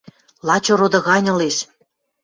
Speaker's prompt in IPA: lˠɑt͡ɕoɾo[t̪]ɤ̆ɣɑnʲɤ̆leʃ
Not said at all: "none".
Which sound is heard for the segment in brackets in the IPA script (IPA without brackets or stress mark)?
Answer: d̪